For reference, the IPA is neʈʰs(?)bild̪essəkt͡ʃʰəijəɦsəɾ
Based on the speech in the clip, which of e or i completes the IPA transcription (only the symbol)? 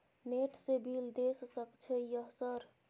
e